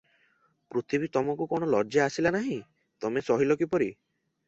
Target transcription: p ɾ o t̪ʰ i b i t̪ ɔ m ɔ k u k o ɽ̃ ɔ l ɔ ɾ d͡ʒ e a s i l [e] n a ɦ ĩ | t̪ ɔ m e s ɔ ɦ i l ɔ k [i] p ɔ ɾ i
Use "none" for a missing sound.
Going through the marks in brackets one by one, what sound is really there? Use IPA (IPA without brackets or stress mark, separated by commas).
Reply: a, i